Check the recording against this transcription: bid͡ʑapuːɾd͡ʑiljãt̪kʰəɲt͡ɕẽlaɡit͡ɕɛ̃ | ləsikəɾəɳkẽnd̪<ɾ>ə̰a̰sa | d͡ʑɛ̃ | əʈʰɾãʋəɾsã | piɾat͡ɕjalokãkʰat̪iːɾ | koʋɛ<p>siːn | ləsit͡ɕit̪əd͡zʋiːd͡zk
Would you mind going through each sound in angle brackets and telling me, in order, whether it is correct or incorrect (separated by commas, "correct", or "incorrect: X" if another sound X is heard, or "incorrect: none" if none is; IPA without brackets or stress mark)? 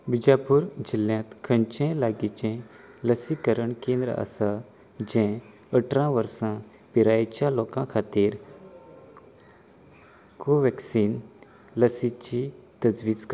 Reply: correct, incorrect: k